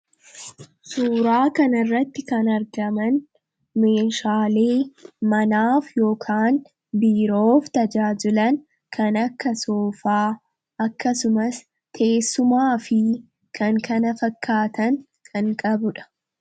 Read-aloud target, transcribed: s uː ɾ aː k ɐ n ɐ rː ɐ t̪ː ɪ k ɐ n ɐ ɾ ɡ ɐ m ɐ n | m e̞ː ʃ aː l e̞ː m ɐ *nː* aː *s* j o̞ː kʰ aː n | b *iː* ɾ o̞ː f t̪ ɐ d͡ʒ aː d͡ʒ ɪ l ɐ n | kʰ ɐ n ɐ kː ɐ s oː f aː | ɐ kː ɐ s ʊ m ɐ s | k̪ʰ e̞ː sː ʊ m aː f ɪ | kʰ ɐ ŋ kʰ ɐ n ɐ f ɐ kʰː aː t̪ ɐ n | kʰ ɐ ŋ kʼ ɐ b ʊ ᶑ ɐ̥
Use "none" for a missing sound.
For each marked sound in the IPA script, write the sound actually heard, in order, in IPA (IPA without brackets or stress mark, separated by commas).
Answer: n, f, iː